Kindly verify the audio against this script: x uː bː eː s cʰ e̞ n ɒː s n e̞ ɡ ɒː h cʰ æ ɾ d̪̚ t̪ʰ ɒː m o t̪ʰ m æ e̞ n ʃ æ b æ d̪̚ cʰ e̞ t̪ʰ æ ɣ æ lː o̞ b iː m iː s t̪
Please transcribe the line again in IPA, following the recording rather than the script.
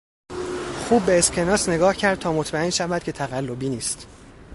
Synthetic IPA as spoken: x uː bː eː s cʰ e̞ n ɒː s n e̞ ɡ ɒː h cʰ æ ɾ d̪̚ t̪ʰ ɒː m o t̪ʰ m æ e̞ n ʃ æ v æ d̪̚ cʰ e̞ t̪ʰ æ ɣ æ lː o̞ b iː n iː s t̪

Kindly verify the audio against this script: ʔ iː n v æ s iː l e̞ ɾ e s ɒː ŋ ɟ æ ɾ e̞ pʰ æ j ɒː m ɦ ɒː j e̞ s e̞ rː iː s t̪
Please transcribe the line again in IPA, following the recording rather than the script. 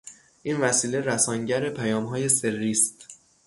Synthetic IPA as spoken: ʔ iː n v æ s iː l e̞ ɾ æ s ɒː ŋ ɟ æ ɾ e̞ pʰ æ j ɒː m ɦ ɒː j e̞ s e̞ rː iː s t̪

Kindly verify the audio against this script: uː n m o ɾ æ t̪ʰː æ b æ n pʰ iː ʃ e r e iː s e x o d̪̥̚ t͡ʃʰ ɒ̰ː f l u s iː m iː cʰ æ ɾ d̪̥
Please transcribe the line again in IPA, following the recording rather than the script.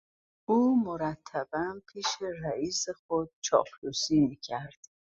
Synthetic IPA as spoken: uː m o ɾ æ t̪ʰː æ b æ n pʰ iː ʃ e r æ iː s e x o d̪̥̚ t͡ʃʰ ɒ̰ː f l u s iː m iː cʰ æ ɾ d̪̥

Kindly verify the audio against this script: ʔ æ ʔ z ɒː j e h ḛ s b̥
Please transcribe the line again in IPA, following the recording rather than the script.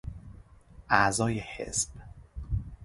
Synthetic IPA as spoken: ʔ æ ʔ z ɒː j e h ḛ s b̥

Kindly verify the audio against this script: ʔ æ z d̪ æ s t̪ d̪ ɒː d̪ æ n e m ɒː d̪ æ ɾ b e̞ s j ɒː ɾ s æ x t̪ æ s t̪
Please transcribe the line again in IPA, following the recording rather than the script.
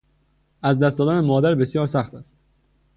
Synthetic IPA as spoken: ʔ æ z d̪ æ s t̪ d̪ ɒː d̪ æ n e m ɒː d̪ æ ɾ b e̞ s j ɒː ɾ s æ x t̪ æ s t̪

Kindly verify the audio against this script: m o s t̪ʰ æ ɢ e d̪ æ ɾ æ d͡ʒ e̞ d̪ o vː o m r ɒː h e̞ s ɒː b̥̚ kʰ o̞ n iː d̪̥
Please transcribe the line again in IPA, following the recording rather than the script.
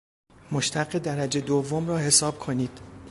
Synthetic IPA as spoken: m o ʃ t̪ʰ æ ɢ e d̪ æ ɾ æ d͡ʒ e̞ d̪ o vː o m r ɒː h e̞ s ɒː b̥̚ kʰ o̞ n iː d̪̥

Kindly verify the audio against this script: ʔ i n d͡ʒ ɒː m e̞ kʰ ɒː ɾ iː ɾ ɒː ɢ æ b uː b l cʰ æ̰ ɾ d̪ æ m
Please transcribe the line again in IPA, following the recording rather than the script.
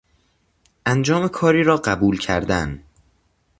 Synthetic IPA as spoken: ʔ æ n d͡ʒ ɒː m e̞ kʰ ɒː ɾ iː ɾ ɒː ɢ æ b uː l cʰ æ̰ ɾ d̪ æ n

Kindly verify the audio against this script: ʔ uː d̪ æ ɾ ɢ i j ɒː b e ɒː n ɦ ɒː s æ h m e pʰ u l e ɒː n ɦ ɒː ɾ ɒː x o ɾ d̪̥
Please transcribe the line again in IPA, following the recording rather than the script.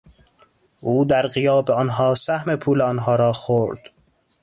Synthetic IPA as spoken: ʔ uː d̪ æ ɾ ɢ i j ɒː b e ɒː n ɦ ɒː s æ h m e pʰ uː l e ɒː n ɦ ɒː ɾ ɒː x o ɾ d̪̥

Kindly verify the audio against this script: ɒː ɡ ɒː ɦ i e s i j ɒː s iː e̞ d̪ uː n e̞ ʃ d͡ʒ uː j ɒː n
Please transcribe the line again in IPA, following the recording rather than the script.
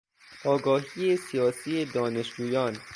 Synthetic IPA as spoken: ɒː ɡ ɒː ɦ i e s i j ɒː s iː e̞ d̪ ɒː n e̞ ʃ d͡ʒ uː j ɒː n

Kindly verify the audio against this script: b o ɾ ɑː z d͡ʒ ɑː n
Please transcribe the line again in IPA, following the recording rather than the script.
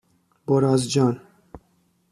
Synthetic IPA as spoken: b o ɾ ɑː z d͡ʒ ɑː n

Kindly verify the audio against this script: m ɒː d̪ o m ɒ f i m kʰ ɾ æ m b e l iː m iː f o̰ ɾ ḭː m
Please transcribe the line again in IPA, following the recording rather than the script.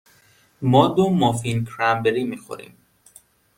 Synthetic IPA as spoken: m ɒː d̪ o m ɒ f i n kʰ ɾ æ m b e ɾ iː m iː x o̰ ɾ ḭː m

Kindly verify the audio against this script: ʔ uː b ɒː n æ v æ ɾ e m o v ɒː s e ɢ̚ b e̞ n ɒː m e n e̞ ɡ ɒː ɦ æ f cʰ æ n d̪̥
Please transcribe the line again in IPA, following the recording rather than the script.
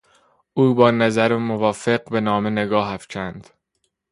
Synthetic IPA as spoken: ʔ uː b ɒː n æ z æ ɾ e m o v ɒː f e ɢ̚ b e̞ n ɒː m e n e̞ ɡ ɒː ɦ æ f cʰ æ n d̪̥

